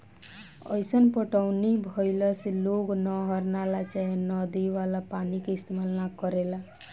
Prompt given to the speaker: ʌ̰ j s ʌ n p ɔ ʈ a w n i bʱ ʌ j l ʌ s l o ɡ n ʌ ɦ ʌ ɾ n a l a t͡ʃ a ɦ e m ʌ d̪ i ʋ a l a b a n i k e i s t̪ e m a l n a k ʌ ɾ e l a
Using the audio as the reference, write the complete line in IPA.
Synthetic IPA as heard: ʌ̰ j s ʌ n p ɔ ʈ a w n i bʱ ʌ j l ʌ s l o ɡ n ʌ ɦ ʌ ɾ n a l a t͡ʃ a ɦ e n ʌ d̪ i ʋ a l a p a n i k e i s t̪ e m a l n a k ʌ ɾ e l a